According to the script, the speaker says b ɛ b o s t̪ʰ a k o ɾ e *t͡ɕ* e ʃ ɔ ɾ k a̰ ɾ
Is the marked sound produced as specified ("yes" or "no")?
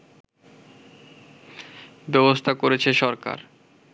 no